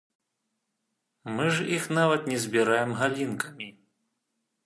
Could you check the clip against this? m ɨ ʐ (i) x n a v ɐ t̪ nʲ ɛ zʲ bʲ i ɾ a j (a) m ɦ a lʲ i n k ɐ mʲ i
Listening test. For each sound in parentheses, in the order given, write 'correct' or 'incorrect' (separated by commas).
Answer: correct, incorrect